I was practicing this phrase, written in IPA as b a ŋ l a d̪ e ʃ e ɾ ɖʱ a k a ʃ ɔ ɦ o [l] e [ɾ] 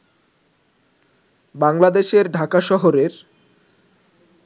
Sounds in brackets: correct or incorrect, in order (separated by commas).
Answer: incorrect, correct